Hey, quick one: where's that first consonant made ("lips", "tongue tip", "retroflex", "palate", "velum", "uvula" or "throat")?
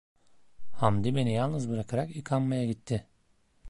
throat